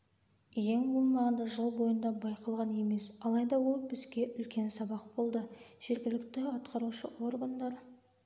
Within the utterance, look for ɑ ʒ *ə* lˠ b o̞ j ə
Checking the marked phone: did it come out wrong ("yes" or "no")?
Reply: no